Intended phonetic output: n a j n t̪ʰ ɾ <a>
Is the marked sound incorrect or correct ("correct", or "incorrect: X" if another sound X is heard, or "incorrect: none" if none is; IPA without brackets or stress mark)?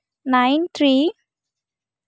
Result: incorrect: i